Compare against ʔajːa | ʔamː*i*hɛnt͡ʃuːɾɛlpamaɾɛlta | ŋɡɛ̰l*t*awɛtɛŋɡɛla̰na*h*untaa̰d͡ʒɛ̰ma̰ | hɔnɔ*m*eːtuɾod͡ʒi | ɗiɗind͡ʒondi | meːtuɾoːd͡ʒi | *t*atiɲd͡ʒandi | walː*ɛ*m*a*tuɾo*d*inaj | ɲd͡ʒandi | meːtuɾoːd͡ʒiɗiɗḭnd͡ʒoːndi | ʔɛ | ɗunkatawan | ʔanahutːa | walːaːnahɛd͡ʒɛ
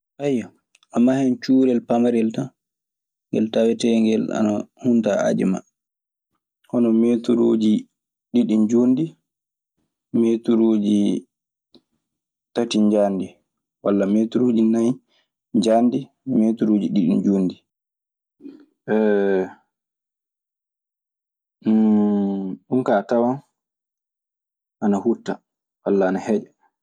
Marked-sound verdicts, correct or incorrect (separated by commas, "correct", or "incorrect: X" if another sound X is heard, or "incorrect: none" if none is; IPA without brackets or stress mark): incorrect: a, correct, correct, correct, correct, incorrect: a, incorrect: e, incorrect: d͡ʒ